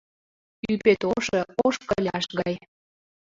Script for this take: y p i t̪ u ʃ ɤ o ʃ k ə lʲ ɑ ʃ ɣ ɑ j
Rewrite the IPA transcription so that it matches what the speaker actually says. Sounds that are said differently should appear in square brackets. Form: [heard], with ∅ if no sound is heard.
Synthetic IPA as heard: y p [e] t̪ [o] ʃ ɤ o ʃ k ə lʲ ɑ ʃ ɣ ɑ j